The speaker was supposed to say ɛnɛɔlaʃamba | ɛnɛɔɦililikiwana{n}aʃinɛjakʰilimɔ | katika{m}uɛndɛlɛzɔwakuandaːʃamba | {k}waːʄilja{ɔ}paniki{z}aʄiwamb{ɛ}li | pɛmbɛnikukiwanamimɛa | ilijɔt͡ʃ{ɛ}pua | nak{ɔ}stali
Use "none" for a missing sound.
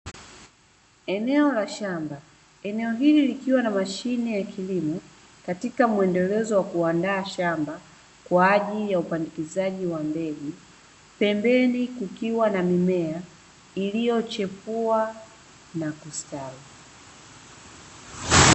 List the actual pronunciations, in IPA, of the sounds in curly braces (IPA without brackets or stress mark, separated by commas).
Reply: m, m, k, u, z, ɛ, ɛ, u